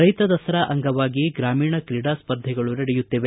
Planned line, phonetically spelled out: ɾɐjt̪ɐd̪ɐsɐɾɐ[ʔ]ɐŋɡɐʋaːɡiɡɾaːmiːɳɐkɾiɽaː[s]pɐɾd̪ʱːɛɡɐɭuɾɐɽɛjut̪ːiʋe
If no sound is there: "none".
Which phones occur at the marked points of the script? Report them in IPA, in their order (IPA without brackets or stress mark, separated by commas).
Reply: ʔ, s